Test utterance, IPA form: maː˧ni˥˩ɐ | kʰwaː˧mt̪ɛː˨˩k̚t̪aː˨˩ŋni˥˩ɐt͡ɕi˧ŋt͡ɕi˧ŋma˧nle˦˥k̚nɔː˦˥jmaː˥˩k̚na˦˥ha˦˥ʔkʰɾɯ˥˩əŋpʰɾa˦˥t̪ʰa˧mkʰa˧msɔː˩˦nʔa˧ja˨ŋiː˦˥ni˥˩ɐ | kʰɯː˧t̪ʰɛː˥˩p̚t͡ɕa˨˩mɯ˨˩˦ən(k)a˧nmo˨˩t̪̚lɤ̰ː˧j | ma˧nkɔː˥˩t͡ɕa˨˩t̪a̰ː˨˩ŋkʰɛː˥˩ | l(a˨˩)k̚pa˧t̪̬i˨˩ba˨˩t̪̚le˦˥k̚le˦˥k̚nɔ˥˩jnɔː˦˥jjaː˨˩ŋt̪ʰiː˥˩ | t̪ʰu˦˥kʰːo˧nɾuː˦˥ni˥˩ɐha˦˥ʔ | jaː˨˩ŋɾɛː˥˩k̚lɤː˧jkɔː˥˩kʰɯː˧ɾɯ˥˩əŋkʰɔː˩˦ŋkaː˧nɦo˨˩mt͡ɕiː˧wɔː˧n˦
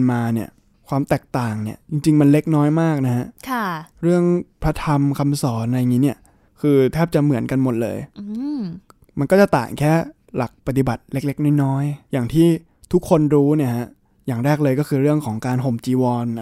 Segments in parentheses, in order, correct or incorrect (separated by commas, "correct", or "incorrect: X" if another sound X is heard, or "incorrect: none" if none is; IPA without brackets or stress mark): correct, correct